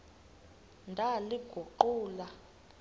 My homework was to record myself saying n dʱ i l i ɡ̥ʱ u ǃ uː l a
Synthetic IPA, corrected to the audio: n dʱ a l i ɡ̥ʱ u ǃ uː l a